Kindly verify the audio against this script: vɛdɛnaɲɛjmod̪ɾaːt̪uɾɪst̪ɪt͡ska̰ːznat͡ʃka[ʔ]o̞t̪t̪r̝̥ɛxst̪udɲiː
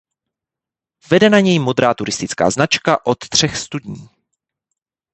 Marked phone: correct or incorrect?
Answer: correct